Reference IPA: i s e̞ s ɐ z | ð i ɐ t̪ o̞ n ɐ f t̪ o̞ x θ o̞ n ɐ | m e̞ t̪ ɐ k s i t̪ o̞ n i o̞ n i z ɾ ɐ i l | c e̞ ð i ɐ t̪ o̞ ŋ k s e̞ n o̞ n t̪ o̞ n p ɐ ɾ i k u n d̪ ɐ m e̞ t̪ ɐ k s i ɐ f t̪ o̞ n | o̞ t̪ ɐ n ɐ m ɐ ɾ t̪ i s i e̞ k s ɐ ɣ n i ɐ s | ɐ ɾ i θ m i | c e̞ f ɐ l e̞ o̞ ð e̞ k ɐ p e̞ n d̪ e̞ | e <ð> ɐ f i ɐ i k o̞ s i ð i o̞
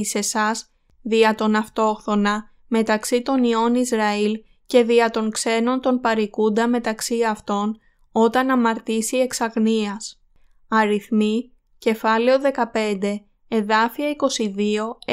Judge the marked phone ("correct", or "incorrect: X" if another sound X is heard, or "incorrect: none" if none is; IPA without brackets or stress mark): correct